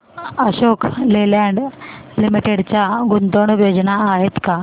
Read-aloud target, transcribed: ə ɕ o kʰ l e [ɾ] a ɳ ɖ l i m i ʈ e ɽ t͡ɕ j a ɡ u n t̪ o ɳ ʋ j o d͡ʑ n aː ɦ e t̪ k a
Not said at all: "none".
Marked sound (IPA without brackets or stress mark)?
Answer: l